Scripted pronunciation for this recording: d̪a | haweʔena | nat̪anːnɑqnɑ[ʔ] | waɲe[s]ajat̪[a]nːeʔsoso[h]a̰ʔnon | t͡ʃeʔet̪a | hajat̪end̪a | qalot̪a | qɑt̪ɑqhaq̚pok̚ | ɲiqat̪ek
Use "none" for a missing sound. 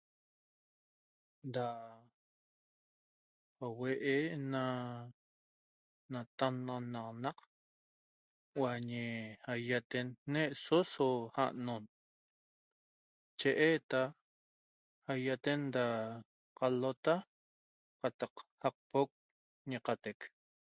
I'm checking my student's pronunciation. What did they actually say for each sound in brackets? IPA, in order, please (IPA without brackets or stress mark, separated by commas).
q, h, e, h